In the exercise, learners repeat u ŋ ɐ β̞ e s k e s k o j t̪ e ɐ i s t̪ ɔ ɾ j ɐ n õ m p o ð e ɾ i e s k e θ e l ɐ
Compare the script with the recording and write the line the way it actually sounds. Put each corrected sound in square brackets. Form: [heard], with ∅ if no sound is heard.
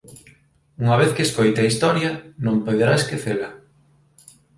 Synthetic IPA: u ŋ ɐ β̞ e [θ] k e s k o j t̪ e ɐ i s t̪ ɔ ɾ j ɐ n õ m p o ð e ɾ [a] e s k e θ e l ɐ

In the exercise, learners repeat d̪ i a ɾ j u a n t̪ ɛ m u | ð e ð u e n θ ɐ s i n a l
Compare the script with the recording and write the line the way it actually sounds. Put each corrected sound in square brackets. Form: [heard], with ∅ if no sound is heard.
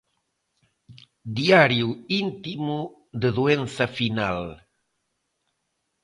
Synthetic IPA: d̪ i a ɾ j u [i] n t̪ [i] m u | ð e ð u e n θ ɐ [f] i n a l

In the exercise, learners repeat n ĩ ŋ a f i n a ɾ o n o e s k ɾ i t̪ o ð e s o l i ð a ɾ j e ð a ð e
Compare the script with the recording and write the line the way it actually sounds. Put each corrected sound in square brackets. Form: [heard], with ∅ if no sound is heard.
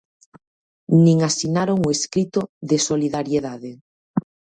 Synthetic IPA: n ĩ ŋ a [s] i n a ɾ o [ŋ] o e s k ɾ i t̪ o ð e s o l i ð a ɾ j e ð a ð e

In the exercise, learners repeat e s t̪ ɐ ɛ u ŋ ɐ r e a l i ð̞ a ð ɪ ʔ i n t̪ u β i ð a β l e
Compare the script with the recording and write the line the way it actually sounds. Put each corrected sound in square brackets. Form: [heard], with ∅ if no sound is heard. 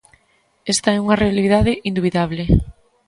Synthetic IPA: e s t̪ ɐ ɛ u ŋ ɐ r e a l i ð̞ a ð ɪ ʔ i n [d̪] u β i ð a β l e

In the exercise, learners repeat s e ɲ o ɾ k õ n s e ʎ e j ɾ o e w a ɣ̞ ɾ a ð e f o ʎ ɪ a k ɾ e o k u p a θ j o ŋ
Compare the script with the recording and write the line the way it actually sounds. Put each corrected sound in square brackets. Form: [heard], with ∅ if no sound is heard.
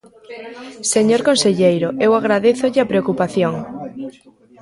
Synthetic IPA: s e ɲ o ɾ k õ n s e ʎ e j ɾ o e w a ɣ̞ ɾ a ð e [θ] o ʎ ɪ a [p] ɾ e o k u p a θ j o ŋ

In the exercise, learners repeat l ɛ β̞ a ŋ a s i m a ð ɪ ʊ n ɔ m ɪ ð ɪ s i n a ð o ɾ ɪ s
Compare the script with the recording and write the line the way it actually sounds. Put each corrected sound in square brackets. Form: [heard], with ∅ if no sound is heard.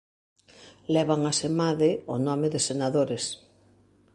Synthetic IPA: l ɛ β̞ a ŋ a s [e] m a ð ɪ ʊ n ɔ m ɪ ð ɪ s [e] n a ð o ɾ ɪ s

